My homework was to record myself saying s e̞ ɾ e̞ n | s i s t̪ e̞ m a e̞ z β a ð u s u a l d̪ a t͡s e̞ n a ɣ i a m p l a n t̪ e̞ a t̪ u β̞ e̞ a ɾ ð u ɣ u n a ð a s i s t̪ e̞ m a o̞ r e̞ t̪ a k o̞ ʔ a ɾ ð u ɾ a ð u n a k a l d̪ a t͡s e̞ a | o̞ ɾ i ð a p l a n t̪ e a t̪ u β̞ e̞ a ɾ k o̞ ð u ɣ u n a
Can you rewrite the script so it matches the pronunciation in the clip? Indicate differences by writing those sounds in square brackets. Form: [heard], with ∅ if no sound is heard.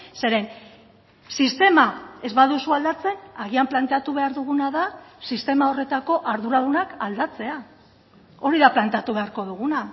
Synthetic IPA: s e̞ ɾ e̞ n | s i s t̪ e̞ m a e̞ z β a ð u s u a l d̪ a t͡s e̞ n a ɣ i a m p l a n t̪ e̞ a t̪ u β̞ e̞ a ɾ ð u ɣ u n a ð a s i s t̪ e̞ m a o̞ r e̞ t̪ a k o̞ ʔ a ɾ ð u ɾ a ð u n a k a l d̪ a t͡s e̞ a | o̞ ɾ i ð a p l a n t̪ e a t̪ u β̞ e̞ a ɾ k o̞ ð u ɣ u n a